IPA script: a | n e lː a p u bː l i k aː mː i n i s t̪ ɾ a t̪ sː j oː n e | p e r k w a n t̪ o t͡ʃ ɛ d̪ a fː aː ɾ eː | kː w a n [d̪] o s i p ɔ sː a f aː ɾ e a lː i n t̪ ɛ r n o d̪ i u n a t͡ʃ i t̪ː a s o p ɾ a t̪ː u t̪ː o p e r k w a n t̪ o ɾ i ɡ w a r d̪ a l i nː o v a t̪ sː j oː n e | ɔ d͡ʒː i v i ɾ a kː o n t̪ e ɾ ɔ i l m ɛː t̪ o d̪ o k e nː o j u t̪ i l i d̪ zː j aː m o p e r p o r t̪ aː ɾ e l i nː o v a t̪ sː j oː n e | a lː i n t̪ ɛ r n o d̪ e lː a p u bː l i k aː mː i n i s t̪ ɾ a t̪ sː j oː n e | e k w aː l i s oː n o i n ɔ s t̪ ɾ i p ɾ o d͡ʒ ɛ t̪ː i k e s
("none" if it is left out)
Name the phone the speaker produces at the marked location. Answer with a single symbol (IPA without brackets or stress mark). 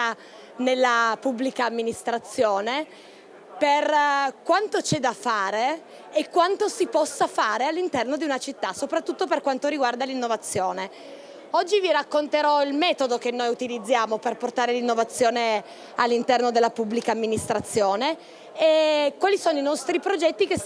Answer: t̪